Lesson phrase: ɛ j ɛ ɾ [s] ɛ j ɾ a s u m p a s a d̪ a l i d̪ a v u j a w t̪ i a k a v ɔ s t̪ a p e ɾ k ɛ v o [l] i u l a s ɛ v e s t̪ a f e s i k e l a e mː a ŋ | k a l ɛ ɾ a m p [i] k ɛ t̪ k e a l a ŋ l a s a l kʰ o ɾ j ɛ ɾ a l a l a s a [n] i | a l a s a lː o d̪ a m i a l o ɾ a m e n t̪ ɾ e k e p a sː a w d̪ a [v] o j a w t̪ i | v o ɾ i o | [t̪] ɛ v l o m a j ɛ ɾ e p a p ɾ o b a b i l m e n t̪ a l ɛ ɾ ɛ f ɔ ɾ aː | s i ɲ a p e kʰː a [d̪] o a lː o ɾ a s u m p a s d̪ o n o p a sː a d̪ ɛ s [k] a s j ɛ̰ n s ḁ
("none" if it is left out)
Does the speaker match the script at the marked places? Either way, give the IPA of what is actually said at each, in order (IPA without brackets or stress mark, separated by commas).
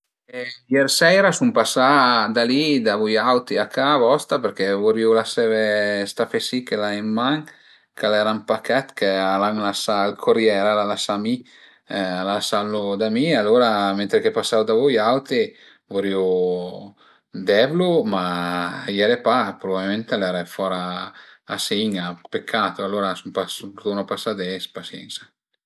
s, ɾ, a, m, v, d̪, t̪, p